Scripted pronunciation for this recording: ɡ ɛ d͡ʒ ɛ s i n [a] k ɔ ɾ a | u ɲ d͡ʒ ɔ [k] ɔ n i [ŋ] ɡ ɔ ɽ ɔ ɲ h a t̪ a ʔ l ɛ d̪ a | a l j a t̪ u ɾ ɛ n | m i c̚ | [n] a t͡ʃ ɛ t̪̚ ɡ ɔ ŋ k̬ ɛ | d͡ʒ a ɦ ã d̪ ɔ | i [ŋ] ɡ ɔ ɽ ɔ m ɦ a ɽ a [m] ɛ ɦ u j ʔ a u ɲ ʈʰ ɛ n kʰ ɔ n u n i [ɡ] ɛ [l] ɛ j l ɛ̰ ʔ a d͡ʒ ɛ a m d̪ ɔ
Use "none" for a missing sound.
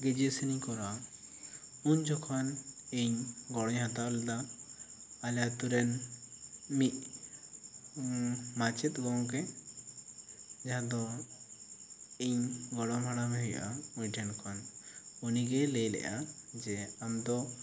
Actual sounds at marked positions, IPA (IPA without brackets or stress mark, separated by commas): i, kʰ, ɲ, m, ɲ, m, ɡ, l